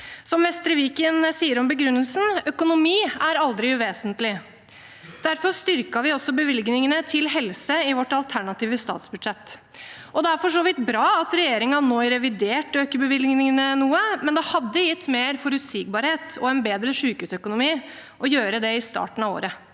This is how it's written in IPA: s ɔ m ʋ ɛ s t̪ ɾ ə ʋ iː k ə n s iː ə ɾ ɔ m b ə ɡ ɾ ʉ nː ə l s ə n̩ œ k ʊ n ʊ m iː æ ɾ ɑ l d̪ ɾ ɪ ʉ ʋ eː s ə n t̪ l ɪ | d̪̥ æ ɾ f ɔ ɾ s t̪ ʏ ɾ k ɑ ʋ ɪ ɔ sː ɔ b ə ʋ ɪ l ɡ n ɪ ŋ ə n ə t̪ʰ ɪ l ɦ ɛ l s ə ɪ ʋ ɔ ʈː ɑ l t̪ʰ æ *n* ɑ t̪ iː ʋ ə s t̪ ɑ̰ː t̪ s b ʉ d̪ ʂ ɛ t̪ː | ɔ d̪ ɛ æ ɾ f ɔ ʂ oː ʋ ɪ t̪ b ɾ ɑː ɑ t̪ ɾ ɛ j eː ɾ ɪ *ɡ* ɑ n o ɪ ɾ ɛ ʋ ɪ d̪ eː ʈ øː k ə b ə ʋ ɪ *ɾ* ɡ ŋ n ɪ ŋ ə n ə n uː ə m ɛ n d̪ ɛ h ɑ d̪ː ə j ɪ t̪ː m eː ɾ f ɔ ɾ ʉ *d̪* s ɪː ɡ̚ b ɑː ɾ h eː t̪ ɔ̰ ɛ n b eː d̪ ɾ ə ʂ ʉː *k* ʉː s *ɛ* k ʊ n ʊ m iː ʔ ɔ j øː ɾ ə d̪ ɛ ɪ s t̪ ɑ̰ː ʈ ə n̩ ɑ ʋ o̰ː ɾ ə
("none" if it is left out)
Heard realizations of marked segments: ɳ, ŋ, l, t̪, k, œ

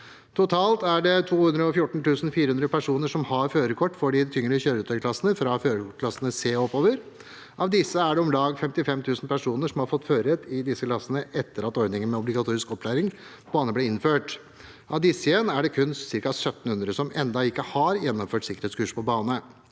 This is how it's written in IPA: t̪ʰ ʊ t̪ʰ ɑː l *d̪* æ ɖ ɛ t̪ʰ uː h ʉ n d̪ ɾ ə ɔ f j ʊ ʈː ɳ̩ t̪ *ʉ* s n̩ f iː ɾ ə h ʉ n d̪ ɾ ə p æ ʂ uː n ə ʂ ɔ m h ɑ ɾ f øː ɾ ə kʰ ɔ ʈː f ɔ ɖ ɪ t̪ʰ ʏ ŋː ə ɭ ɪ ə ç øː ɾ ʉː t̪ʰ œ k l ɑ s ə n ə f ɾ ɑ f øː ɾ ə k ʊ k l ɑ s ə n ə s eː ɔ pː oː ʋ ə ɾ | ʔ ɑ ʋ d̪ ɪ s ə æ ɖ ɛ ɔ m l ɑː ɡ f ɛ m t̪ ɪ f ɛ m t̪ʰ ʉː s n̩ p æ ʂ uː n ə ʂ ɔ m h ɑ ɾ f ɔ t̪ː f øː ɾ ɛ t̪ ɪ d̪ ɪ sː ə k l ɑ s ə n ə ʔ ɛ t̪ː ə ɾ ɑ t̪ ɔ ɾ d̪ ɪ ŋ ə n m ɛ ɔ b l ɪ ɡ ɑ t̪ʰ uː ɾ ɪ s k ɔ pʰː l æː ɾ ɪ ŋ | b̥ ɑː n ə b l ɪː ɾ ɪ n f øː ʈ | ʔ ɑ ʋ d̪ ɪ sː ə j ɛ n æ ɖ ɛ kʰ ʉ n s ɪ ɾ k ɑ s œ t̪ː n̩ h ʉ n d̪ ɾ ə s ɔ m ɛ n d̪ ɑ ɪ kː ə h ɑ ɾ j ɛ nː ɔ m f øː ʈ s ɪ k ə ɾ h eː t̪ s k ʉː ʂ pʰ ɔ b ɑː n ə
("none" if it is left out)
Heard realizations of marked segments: t̪, ʉː

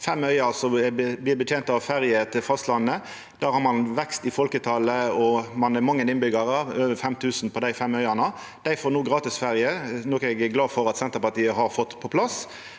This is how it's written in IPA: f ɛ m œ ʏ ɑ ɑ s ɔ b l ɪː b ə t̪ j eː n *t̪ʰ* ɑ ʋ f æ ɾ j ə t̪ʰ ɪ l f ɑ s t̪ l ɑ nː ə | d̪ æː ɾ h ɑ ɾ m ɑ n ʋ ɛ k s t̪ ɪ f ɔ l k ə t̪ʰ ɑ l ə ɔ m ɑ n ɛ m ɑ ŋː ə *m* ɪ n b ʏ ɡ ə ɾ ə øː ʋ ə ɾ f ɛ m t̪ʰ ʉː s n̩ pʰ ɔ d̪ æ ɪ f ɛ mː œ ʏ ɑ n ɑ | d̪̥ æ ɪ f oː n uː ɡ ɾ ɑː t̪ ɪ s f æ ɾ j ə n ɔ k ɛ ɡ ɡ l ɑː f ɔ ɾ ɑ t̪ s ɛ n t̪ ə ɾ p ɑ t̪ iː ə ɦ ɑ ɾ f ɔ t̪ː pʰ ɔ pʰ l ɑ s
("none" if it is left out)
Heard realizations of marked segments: t̪, n

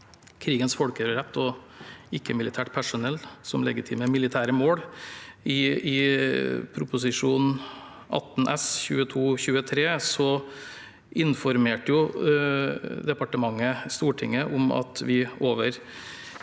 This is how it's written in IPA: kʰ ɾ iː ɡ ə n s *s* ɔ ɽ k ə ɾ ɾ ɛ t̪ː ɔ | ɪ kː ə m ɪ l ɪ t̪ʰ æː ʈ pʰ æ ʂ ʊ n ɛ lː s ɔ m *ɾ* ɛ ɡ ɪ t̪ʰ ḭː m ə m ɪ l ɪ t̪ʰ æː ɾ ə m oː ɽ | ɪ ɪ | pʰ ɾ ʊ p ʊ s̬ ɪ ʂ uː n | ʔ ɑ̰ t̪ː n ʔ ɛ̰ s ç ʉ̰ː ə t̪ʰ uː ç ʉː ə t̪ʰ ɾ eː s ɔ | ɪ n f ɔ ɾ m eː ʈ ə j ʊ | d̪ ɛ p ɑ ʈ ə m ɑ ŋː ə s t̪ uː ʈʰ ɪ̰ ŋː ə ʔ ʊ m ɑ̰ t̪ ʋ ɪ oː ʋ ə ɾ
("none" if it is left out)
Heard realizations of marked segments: f, l

